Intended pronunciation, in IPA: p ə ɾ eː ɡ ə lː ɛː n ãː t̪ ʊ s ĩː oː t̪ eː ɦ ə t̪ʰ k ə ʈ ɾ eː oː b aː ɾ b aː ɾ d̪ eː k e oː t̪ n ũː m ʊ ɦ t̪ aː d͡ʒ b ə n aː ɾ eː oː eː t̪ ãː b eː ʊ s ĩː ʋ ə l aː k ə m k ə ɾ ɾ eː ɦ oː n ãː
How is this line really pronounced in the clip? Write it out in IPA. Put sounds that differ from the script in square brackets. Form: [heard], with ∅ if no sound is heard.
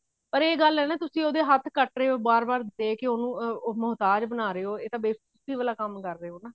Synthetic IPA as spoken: p ə ɾ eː ɡ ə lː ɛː n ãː t̪ ʊ s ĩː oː [d̪] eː ɦ ə t̪ʰ k ə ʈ ɾ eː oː b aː ɾ b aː ɾ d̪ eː k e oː [∅] n ũː m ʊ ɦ t̪ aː d͡ʒ b ə n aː ɾ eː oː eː t̪ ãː b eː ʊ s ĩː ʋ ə l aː k ə m k ə ɾ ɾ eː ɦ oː n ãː